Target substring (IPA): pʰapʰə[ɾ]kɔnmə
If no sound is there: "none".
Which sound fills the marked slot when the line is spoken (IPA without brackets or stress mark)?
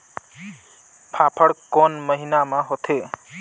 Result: ɽ